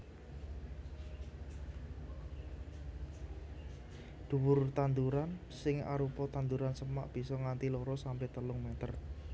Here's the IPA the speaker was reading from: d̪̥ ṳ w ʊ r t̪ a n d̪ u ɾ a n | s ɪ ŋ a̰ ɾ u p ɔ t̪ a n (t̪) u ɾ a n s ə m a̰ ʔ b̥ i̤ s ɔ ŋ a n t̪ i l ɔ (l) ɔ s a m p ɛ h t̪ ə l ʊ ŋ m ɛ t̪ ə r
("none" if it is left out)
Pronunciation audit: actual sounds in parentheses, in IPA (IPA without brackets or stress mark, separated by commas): d̪, ɾ